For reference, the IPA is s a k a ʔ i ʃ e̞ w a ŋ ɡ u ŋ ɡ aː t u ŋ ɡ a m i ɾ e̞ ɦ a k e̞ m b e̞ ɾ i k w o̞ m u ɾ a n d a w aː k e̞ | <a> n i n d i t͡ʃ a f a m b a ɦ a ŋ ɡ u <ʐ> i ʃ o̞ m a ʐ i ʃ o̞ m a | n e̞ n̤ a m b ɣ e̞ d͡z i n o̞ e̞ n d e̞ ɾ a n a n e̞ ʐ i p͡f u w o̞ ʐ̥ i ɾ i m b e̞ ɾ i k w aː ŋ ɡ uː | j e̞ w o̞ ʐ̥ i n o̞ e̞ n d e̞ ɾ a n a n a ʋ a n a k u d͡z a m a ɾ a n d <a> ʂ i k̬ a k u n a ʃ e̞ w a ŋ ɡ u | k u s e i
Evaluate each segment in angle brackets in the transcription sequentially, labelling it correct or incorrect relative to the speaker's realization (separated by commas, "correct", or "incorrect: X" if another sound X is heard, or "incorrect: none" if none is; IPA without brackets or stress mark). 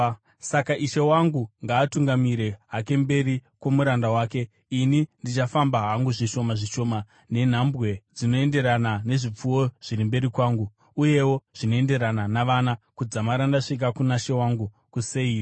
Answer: incorrect: i, correct, correct